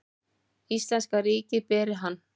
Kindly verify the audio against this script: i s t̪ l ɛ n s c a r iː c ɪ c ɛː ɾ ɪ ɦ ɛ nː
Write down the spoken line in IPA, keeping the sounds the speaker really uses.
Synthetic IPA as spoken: i s t̪ l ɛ n s k a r iː c ɪ p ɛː ɾ ɪ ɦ a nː